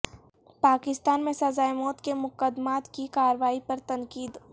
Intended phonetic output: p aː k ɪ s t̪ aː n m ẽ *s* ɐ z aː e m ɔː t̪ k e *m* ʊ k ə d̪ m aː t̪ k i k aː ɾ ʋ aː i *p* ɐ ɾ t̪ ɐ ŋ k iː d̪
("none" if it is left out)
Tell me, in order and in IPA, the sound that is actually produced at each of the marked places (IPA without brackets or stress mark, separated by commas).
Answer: s, m, p